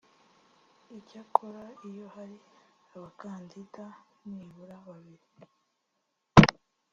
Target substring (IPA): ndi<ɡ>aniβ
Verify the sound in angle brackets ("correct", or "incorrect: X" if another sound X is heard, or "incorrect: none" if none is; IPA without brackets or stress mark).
incorrect: d